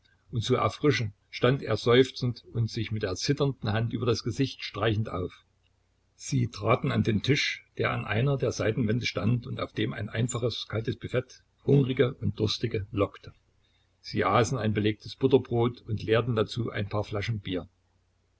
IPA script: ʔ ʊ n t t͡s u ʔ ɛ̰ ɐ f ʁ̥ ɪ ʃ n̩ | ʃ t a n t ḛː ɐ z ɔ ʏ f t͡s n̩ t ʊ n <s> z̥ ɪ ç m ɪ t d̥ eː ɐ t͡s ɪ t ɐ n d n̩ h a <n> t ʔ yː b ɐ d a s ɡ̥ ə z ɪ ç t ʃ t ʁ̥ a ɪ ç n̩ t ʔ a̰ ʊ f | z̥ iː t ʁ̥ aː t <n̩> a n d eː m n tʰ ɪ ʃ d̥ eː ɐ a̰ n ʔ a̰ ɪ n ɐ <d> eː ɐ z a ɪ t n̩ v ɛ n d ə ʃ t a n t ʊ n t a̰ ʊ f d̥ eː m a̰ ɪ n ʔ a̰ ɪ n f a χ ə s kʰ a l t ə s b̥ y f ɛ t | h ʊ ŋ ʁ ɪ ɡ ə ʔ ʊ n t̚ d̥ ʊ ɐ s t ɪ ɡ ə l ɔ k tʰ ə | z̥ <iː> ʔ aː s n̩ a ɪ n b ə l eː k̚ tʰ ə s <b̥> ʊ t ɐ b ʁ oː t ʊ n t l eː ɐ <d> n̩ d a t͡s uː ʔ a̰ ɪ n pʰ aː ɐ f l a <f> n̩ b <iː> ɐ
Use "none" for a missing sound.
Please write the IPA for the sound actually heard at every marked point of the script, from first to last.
t, n, n̩, d, iː, b̥, t, ʃ, iː

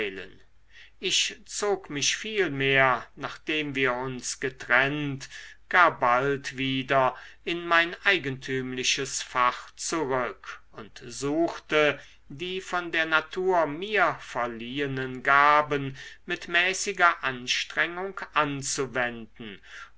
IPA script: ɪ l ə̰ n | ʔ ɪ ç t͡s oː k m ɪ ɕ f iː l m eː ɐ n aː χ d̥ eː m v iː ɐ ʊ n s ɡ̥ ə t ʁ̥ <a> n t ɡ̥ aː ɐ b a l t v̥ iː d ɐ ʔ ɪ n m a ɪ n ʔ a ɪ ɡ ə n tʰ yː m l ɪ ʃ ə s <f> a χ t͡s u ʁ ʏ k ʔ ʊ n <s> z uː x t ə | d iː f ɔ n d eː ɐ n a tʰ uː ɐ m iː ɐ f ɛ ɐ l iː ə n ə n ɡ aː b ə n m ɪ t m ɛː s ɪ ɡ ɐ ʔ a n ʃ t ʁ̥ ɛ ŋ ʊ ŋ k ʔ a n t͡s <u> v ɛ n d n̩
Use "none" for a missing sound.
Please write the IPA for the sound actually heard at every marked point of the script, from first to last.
ɛ, f, t, u

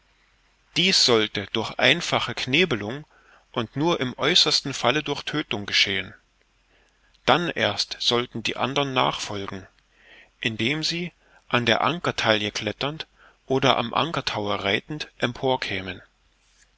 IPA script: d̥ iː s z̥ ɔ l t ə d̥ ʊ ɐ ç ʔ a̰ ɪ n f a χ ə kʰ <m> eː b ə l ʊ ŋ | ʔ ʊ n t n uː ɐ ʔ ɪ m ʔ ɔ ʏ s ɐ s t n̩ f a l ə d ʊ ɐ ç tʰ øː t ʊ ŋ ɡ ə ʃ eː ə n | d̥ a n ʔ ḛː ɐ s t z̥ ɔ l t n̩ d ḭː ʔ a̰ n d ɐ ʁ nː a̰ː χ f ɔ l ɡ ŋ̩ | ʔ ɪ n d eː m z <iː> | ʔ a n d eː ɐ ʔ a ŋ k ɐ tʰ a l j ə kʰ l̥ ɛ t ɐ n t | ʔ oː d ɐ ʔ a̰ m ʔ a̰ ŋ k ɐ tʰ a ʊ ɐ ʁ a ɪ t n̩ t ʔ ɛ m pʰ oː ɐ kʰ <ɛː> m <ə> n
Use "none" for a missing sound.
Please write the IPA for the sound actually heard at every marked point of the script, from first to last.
n, iː, ɛː, ə

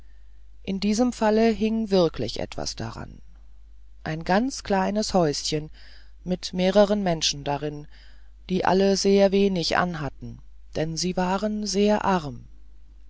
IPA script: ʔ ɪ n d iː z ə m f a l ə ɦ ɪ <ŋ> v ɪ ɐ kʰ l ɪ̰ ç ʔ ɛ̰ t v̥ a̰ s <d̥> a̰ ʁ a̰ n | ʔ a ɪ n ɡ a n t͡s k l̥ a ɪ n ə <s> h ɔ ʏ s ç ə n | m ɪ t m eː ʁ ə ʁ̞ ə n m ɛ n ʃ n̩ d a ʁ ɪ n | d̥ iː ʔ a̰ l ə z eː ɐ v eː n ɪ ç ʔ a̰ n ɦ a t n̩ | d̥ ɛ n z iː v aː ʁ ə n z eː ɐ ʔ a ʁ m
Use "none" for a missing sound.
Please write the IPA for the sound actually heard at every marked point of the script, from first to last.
ŋ, d̥, s

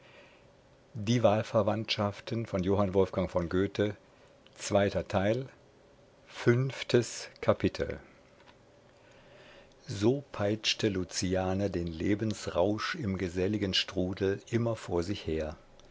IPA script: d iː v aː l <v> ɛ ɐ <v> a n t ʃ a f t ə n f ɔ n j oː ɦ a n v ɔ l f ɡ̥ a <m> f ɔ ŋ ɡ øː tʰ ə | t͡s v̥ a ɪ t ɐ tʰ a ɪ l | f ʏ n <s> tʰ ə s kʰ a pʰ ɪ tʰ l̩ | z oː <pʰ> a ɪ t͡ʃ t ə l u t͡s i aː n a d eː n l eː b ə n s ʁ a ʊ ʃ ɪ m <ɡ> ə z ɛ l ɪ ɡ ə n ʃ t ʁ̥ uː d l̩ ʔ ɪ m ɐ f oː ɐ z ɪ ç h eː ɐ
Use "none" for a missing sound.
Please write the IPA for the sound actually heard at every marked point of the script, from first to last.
f, v, ŋ, f, pʰ, ɡ

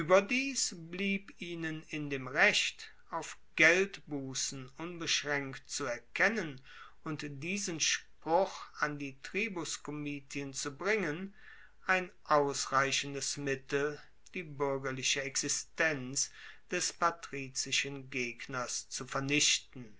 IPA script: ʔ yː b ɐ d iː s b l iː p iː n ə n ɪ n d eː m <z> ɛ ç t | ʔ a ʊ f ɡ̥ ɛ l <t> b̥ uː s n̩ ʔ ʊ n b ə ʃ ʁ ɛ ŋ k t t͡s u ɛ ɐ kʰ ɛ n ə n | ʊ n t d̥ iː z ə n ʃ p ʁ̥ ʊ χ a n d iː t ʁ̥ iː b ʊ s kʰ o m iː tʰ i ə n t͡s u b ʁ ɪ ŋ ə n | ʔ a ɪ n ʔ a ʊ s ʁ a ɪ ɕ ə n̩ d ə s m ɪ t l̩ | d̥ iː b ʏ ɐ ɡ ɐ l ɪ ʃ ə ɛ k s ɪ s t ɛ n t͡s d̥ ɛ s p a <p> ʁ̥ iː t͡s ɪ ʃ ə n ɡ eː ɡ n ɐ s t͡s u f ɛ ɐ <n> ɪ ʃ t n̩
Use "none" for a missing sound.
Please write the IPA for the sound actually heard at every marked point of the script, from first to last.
ʁ, t, t, n

